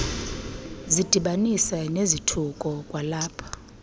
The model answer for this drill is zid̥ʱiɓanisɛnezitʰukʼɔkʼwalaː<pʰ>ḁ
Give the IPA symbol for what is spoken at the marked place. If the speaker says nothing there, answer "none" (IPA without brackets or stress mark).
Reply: pʰ